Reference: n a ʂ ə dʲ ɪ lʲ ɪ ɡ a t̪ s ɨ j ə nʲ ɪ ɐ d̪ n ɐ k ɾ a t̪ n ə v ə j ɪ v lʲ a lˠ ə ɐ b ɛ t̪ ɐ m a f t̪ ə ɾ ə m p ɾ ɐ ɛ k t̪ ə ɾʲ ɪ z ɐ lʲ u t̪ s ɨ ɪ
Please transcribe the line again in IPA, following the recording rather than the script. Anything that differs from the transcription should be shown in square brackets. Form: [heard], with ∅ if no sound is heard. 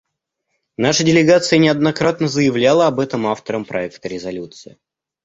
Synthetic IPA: n a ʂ ə dʲ ɪ lʲ ɪ ɡ a t̪ s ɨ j ə nʲ ɪ ɐ d̪ n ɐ k ɾ a t̪ n ə [z] ə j ɪ v lʲ a lˠ ə ɐ b ɛ t̪ [ə] m a f t̪ ə ɾ ə m p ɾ ɐ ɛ k t̪ ə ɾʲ ɪ z ɐ lʲ u t̪ s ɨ ɪ